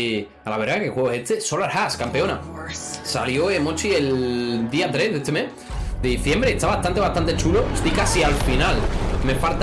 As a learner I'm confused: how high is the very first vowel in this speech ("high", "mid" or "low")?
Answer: low